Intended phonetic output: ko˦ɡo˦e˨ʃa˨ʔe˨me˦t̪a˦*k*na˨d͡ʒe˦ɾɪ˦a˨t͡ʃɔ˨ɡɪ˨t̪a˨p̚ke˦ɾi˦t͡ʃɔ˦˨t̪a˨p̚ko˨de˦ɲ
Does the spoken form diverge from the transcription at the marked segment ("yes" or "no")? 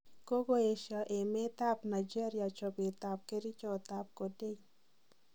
yes